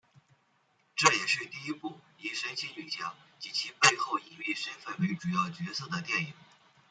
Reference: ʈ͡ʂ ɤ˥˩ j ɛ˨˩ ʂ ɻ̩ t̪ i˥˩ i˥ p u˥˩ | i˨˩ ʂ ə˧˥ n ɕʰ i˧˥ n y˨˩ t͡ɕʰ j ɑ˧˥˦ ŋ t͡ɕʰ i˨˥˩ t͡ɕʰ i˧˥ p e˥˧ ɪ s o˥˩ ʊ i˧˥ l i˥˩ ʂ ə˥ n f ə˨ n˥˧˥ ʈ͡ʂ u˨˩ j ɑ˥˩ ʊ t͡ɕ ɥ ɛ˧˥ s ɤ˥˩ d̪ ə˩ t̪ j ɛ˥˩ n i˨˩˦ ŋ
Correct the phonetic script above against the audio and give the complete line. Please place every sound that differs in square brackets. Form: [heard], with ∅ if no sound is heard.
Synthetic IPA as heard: ʈ͡ʂ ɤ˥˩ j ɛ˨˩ ʂ ɻ̩ t̪ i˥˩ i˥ p u˥˩ | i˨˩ ʂ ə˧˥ n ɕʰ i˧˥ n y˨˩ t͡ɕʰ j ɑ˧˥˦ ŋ [t͡ɕ] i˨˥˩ t͡ɕʰ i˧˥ p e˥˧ ɪ [x] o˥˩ ʊ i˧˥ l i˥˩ ʂ ə˥ n f [ə˥˩] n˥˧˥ ʈ͡ʂ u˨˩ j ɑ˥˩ ʊ t͡ɕ ɥ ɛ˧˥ s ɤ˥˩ d̪ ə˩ t̪ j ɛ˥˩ n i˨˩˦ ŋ